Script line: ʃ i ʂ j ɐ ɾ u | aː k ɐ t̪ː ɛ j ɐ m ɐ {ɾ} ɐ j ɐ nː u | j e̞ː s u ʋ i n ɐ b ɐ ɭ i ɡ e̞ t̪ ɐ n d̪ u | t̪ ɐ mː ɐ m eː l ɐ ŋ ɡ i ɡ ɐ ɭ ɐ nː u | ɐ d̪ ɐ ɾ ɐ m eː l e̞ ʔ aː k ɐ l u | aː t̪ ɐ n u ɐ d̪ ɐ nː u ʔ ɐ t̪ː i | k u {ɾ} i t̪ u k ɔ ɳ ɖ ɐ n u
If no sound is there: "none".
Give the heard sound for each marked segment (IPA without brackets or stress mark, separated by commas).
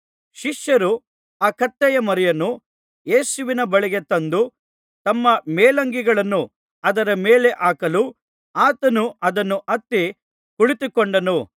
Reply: ɾ, ɭ